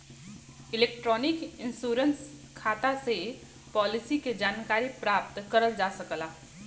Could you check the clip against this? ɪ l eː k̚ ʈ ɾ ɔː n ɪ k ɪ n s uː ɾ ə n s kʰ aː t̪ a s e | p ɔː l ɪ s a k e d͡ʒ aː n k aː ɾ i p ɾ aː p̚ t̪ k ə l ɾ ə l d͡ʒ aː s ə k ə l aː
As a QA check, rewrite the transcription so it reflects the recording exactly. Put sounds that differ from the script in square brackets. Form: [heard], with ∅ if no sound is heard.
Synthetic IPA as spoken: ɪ l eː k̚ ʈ ɾ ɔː n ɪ k ɪ n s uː ɾ ə n s kʰ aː t̪ a s e | p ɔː l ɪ s [i] k e d͡ʒ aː n k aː ɾ i p ɾ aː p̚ t̪ k ə [∅] ɾ ə l d͡ʒ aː s ə k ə l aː